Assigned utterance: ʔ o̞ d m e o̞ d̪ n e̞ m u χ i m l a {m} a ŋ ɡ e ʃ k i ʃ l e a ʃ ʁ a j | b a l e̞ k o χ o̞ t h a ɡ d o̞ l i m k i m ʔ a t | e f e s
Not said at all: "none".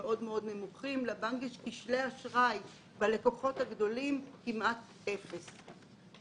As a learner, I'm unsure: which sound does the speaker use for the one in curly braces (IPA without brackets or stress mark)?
b